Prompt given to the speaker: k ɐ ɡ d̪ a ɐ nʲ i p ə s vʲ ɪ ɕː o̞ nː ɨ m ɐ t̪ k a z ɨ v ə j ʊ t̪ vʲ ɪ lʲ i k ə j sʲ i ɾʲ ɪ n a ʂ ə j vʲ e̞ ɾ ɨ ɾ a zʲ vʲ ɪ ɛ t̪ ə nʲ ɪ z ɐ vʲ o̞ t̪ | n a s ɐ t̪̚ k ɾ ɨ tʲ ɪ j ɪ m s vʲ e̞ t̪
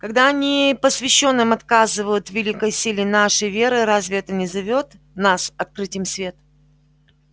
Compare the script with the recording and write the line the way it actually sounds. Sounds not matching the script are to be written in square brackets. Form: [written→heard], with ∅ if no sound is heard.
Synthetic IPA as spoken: k ɐ ɡ d̪ a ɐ nʲ i p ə s vʲ ɪ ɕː o̞ nː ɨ m ɐ t̪ k a z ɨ v ə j ʊ t̪ vʲ ɪ lʲ i k ə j sʲ i [ɾʲ→lʲ] ɪ n a ʂ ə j vʲ e̞ ɾ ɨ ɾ a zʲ vʲ ɪ ɛ t̪ ə nʲ ɪ z ɐ vʲ o̞ t̪ | n a s ɐ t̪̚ k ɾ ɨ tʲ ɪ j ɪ m s vʲ e̞ t̪